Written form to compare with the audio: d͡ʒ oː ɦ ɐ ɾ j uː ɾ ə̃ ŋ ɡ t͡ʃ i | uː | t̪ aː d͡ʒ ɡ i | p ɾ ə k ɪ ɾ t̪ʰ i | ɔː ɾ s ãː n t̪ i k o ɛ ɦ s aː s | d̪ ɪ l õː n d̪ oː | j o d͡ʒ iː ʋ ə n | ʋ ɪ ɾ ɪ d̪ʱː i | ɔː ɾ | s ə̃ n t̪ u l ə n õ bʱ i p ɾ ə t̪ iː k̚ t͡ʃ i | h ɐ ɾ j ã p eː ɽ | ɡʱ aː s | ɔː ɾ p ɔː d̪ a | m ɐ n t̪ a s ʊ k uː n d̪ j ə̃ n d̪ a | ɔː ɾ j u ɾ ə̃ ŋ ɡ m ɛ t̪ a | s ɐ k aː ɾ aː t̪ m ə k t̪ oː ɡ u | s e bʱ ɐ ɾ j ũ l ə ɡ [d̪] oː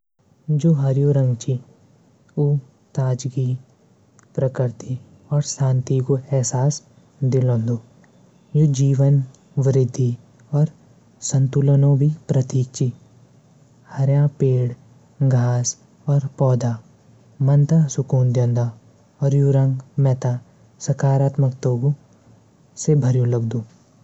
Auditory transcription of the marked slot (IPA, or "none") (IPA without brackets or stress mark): d̪